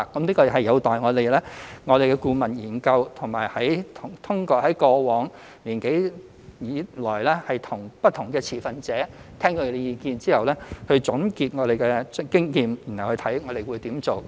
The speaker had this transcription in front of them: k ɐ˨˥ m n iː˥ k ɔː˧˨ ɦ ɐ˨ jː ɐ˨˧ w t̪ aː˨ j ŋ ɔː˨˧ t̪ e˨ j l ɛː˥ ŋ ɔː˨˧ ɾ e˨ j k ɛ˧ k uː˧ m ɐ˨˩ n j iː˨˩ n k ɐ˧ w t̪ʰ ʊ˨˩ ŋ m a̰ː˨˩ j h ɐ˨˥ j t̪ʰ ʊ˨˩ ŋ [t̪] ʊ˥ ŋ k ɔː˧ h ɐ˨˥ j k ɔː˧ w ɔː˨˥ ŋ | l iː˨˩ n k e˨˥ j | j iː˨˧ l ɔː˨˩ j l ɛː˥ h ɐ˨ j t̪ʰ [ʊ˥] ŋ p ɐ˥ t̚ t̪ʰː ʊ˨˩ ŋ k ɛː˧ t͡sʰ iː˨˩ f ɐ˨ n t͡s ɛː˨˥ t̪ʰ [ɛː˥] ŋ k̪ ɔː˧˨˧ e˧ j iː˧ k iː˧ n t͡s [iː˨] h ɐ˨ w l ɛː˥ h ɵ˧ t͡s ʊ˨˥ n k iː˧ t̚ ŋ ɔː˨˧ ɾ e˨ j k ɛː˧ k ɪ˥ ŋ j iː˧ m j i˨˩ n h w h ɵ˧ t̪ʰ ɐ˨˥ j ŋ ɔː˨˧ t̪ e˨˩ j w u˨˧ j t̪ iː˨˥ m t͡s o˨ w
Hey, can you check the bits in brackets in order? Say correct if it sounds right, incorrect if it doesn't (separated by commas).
incorrect, incorrect, correct, incorrect